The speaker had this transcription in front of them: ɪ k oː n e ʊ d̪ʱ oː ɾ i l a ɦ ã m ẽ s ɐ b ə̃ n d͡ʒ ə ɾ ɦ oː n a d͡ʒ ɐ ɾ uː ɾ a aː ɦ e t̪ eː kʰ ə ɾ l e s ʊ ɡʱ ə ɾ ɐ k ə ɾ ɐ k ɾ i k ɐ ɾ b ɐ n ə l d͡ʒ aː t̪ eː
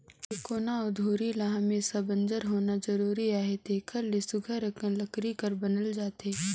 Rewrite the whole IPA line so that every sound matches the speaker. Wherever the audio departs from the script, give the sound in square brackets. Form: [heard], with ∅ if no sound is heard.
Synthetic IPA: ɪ k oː n [a] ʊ d̪ʱ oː ɾ i l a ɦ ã m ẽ s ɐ b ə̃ n d͡ʒ ə ɾ ɦ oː n a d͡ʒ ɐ ɾ uː ɾ [i] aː ɦ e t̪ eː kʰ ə ɾ l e s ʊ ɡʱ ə ɾ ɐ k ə [l] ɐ k ɾ i k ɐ ɾ b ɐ n ə l d͡ʒ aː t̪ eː